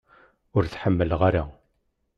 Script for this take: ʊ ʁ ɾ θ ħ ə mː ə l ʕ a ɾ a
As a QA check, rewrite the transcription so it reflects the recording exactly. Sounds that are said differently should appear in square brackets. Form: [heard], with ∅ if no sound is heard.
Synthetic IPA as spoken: ʊ [∅] ɾ θ ħ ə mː ə l [ʁ] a ɾ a